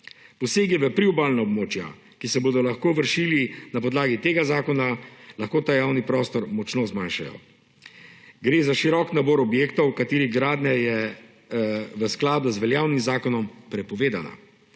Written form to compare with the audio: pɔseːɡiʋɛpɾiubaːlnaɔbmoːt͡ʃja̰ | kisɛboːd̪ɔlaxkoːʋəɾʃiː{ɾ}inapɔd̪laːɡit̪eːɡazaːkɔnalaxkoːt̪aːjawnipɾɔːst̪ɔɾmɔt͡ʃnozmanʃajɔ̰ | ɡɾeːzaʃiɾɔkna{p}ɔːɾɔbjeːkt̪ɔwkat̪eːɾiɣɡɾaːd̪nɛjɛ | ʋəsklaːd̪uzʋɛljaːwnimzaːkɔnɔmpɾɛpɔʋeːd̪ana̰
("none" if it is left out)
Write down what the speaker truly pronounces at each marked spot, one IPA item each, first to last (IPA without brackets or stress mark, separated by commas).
l, b